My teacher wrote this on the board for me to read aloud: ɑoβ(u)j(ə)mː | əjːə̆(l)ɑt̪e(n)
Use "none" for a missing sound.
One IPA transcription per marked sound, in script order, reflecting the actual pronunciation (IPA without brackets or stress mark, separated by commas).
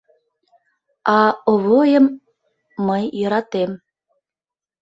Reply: o, ə, ɾ, m